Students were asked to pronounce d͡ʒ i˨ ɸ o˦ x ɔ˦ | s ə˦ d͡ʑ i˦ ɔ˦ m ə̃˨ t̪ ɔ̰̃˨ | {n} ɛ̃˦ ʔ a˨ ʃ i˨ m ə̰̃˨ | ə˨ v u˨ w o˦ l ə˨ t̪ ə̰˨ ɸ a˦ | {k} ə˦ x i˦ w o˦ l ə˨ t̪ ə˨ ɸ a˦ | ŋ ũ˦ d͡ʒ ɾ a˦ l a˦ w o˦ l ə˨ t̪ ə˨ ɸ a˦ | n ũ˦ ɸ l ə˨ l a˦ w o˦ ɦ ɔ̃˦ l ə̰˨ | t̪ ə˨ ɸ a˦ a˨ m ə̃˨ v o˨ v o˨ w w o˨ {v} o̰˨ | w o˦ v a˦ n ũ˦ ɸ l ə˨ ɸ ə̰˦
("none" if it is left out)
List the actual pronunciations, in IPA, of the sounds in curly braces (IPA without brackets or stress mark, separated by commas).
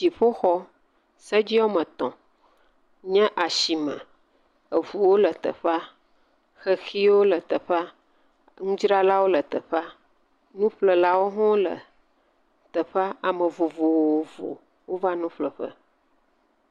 ɲ, x, v